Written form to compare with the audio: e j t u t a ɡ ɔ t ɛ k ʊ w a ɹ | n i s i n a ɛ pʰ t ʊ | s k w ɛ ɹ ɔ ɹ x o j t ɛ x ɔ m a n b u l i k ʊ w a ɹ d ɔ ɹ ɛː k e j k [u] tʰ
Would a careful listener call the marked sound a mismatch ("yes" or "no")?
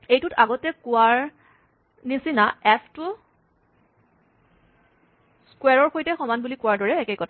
yes